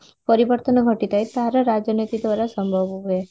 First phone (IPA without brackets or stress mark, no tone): p